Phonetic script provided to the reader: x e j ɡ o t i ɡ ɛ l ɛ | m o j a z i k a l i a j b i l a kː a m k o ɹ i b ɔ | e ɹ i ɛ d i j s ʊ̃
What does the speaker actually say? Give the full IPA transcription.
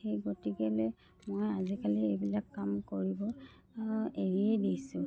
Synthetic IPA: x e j ɡ o t i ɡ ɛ l ɛ | m o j a z i k a l i e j b i l a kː a m k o ɹ i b ɔ | e ɹ i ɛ d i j s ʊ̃